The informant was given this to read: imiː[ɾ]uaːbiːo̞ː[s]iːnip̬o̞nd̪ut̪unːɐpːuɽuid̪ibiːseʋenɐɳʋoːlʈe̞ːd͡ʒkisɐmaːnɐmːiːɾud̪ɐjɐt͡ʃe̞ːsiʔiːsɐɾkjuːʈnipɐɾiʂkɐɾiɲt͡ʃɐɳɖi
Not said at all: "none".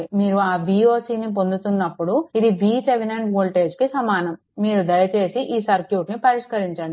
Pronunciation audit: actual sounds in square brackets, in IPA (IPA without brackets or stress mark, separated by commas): ɾ, s